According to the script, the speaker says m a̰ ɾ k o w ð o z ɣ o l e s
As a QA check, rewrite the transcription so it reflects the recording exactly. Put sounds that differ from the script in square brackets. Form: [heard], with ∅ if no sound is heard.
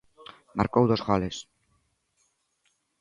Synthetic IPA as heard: m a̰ ɾ k o w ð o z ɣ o l e s